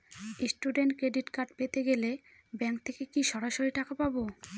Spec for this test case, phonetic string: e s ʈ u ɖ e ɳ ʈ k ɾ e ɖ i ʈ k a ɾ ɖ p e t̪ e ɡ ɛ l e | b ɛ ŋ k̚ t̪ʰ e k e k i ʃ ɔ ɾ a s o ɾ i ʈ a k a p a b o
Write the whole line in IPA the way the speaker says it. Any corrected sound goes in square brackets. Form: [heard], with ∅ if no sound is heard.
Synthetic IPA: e s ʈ u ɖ e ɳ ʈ k ɾ e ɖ i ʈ k a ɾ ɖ p e t̪ e ɡ [e] l e | b ɛ ŋ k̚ t̪ʰ e k e k i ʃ ɔ ɾ a [ʃ] o ɾ i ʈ a k a p a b o